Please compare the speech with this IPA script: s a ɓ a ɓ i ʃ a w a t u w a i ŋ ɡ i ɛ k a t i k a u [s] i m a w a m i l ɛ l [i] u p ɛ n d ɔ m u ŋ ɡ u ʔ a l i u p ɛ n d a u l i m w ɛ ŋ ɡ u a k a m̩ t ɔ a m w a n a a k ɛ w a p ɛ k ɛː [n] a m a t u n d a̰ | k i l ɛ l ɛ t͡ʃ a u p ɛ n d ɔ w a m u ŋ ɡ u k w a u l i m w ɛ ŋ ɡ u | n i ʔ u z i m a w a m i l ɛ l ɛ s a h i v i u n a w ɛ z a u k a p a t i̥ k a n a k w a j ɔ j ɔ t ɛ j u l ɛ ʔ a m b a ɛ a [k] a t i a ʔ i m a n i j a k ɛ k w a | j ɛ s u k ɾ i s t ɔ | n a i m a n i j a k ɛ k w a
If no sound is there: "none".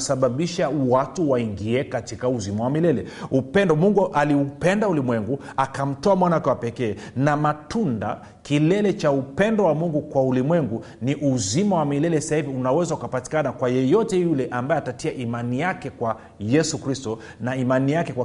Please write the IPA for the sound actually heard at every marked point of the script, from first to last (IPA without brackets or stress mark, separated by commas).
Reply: z, ɛ, n, t